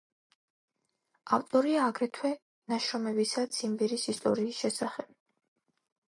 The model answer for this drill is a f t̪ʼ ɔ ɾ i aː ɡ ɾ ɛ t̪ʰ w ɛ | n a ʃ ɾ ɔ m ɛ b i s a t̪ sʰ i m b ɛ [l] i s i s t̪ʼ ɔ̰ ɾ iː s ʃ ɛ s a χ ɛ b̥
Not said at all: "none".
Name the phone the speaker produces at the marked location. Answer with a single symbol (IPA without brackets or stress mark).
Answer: ɾ